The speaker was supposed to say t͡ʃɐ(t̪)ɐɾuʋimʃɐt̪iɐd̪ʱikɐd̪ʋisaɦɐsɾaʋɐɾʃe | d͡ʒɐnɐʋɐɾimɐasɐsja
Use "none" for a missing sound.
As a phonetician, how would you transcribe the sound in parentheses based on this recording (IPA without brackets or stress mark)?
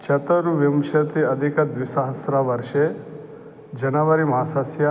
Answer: t̪